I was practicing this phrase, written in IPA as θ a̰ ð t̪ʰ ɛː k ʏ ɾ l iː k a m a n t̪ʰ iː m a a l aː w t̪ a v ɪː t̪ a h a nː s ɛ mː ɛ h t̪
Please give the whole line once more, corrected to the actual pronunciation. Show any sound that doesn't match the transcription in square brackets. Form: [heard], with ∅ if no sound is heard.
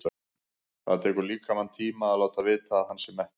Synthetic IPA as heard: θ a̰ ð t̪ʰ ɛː k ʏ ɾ l iː k a m a n t̪ʰ iː m a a l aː w t̪ a v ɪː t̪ a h a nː s ɛ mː ɛ h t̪